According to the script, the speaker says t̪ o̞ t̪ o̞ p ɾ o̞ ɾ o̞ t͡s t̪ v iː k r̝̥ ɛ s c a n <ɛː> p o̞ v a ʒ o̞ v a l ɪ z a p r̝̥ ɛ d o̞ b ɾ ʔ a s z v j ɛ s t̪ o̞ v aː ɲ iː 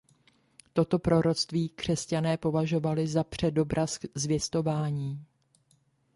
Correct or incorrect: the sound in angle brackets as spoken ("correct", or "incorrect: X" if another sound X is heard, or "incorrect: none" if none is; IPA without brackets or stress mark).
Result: correct